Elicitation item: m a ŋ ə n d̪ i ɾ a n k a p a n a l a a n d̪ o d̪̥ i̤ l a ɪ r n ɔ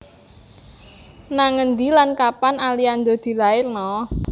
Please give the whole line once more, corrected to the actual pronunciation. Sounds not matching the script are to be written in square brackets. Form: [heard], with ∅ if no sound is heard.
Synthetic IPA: [n] a ŋ ə n d̪ i [l] a n k a p a n a l [i] a n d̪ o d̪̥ i̤ l a ɪ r n ɔ